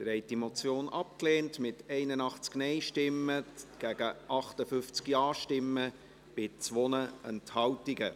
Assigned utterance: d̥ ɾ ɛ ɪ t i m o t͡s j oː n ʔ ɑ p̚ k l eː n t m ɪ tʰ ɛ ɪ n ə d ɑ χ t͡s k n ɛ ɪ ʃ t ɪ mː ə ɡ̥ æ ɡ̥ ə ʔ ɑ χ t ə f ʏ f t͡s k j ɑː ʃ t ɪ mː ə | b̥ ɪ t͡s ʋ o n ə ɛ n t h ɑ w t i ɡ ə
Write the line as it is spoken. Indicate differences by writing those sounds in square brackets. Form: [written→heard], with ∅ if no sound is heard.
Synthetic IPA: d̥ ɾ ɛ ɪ t i m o t͡s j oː n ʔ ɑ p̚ k l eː n t m ɪ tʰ ɛ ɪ n ə [d→n] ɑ χ t͡s k n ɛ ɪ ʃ t ɪ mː ə ɡ̥ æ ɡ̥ ə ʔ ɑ χ t ə f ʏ f t͡s k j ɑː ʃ t ɪ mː ə | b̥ ɪ t͡s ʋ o n ə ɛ n t h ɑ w t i ɡ ə